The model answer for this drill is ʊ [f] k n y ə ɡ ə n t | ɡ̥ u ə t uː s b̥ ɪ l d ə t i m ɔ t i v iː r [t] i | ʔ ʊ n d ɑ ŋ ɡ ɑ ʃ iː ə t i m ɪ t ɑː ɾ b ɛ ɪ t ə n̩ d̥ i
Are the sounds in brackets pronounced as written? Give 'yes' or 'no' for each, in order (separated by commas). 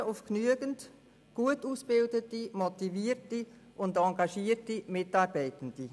yes, yes